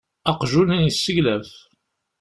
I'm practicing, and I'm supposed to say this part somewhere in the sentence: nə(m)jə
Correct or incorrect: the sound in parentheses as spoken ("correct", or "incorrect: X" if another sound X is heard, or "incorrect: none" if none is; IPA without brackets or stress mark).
incorrect: n